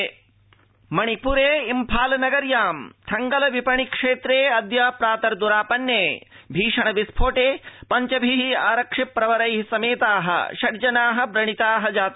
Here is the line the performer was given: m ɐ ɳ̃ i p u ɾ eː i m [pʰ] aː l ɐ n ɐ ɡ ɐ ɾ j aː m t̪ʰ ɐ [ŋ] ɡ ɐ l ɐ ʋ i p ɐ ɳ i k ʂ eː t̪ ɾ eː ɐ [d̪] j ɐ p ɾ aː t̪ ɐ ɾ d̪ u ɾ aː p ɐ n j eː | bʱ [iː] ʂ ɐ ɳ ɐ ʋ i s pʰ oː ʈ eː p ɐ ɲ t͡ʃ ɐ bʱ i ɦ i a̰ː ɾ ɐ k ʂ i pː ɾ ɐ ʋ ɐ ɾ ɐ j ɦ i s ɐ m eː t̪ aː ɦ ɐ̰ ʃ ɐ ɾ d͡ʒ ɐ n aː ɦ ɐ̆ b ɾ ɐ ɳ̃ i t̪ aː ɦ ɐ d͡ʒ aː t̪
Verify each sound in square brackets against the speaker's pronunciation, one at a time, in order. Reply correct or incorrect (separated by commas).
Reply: correct, correct, correct, correct